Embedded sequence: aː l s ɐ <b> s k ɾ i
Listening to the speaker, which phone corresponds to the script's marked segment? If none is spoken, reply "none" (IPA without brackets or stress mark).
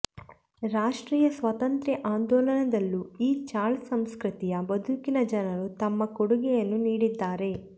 m